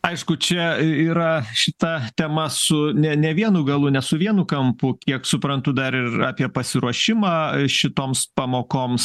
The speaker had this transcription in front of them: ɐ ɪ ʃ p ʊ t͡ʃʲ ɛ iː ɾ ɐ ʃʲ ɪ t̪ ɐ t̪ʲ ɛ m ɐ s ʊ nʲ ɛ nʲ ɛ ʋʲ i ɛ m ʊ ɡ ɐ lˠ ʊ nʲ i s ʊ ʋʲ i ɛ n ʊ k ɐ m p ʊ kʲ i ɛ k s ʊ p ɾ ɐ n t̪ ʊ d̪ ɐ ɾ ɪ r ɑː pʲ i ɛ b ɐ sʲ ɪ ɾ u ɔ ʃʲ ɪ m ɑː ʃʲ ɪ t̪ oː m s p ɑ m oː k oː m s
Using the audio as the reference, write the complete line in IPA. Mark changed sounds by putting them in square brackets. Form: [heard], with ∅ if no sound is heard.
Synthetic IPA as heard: ɐ ɪ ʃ [k] ʊ t͡ʃʲ ɛ iː ɾ ɐ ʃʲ ɪ t̪ ɐ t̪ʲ ɛ m ɐ s ʊ nʲ ɛ nʲ ɛ ʋʲ i ɛ [n] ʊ ɡ ɐ lˠ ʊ nʲ [ɛ] s ʊ ʋʲ i ɛ n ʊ k ɐ m p ʊ kʲ i ɛ k s ʊ p ɾ ɐ n t̪ ʊ d̪ ɐ ɾ ɪ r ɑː pʲ i ɛ [p] ɐ sʲ ɪ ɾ u ɔ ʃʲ ɪ m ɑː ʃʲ ɪ t̪ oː m s p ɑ m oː k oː m s